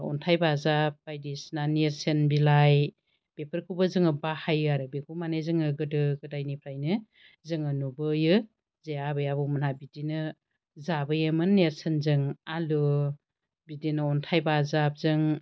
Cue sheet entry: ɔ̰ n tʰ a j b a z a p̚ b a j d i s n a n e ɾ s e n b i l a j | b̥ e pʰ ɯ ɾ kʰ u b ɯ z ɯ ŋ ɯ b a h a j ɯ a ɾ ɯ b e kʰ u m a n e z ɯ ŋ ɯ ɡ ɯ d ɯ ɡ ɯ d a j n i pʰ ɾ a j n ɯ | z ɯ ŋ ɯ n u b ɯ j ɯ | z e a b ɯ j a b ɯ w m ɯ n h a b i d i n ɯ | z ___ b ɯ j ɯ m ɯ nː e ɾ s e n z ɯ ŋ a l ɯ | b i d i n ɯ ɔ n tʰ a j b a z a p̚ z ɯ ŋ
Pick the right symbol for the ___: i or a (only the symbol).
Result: a